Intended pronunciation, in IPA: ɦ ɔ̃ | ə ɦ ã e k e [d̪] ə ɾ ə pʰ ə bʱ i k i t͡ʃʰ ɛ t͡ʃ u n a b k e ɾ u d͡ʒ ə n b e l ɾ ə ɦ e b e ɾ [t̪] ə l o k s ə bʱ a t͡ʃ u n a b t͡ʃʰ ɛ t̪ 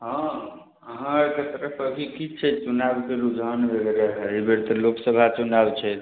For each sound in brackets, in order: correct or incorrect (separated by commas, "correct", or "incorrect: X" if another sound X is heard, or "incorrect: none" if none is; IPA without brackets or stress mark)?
incorrect: t̪, correct